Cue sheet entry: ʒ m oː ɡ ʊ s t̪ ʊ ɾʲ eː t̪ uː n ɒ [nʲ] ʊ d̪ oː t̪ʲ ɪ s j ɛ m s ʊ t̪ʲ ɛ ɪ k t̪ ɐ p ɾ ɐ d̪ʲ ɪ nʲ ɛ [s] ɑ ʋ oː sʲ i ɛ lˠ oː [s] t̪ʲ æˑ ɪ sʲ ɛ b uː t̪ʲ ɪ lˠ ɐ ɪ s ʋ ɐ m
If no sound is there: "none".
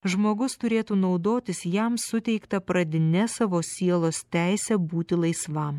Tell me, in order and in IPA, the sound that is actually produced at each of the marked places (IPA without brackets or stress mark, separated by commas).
none, s, s